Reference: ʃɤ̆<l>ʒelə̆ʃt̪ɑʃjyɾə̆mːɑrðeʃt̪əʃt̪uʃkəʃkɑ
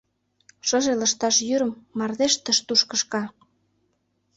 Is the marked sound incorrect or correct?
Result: incorrect